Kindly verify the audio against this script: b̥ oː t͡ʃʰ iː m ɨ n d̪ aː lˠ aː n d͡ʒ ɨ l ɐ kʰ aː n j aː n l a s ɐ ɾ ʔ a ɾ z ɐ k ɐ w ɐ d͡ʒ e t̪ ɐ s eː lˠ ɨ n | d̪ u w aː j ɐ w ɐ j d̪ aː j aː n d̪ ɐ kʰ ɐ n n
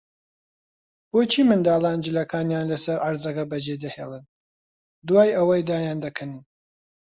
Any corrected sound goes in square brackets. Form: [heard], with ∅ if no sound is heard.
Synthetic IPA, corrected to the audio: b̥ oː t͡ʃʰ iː m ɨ n d̪ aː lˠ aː n d͡ʒ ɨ l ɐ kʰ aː n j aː n l [ɐ] s ɐ ɾ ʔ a ɾ z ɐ k ɐ [b] ɐ d͡ʒ e [d̪] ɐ [h] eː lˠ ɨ n | d̪ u w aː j ɐ w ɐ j d̪ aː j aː n d̪ ɐ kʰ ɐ n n